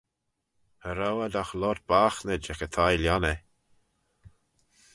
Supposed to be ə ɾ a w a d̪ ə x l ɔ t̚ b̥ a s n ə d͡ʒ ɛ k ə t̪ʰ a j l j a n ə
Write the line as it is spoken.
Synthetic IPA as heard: ə ɾ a w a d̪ a x l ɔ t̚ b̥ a x n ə d͡ʒ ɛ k ə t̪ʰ a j l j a n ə